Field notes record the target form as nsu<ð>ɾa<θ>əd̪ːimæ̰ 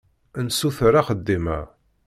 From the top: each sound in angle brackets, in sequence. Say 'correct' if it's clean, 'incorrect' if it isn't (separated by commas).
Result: incorrect, incorrect